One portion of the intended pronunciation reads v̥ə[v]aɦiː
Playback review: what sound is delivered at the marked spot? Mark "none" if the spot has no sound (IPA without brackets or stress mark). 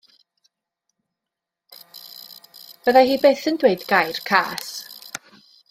ð